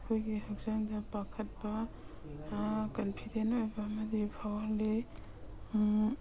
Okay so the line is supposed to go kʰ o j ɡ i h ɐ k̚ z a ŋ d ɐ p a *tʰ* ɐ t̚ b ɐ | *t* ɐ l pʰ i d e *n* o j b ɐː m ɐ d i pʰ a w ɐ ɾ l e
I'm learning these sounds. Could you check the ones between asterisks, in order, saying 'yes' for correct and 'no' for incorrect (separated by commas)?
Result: no, no, yes